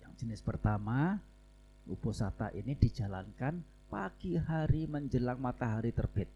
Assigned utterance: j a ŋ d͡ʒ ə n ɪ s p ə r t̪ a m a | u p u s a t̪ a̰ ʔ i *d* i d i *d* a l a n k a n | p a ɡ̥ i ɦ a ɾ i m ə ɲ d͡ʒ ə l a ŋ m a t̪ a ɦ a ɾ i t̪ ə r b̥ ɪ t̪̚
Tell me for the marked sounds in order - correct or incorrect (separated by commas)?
incorrect, incorrect